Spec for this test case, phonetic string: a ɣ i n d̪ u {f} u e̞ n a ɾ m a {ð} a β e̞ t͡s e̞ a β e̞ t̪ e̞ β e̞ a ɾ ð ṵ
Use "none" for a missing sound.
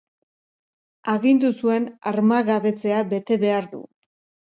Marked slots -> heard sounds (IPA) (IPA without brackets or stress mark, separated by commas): s, ɣ